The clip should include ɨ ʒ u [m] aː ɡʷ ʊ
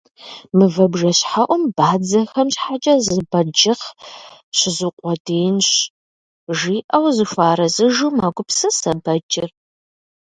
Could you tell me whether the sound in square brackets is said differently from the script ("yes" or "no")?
no